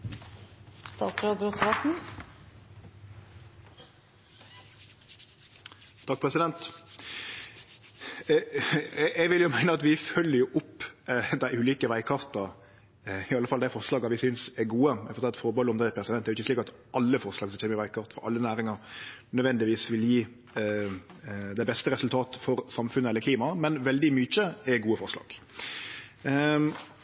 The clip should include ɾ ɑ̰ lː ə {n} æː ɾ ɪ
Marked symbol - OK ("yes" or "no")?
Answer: yes